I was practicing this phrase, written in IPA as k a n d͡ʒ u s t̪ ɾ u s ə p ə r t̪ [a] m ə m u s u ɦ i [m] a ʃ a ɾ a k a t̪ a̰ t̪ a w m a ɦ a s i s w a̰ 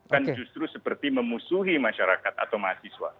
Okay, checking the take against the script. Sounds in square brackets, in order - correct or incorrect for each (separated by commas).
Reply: incorrect, correct